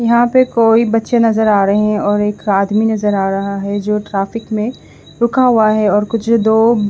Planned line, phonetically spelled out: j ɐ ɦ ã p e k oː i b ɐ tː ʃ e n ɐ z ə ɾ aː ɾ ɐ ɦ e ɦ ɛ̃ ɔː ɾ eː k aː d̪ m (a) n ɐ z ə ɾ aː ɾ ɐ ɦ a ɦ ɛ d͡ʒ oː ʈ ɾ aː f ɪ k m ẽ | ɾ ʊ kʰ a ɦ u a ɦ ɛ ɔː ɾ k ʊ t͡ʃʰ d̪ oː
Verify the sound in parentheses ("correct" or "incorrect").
incorrect